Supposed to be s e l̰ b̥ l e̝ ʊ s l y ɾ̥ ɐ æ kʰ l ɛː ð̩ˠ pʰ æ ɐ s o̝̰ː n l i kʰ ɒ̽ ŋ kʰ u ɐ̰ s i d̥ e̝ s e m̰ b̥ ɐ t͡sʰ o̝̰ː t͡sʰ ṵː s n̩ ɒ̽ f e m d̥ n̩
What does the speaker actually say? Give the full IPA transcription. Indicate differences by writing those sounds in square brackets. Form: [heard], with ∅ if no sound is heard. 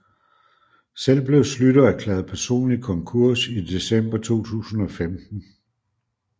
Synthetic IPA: s e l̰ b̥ l e̝ ʊ s l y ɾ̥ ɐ æ kʰ l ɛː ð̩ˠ pʰ æ ɐ s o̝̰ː n l i kʰ ɒ̽ ŋ kʰ u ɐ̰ s i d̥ e̝ s e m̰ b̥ ɐ t͡sʰ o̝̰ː t͡sʰ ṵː s n̩ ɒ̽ f e m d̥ n̩